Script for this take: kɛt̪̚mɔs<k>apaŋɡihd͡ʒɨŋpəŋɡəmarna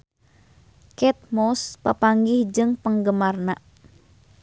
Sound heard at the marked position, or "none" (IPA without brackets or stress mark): p